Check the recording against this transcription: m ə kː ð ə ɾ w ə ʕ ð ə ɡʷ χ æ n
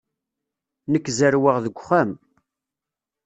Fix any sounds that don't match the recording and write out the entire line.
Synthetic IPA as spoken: n ə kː z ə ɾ w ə ʁ ð ə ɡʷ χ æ m